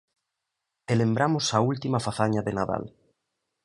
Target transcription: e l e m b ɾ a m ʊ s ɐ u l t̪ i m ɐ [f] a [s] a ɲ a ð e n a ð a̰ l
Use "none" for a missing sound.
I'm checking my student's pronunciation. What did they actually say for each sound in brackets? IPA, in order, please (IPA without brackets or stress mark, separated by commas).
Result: f, θ